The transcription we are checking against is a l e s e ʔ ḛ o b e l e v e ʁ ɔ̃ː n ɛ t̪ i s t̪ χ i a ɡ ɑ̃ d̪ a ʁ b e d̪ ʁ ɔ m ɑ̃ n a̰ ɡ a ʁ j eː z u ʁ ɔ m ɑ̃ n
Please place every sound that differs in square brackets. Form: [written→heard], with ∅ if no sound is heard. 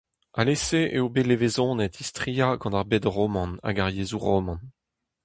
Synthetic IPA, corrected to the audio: a l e s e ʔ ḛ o b e l e v e [ʁ→z] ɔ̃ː n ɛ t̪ i s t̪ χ i a ɡ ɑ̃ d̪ a ʁ b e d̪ ʁ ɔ m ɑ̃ n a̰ ɡ a ʁ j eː z u ʁ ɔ m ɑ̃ n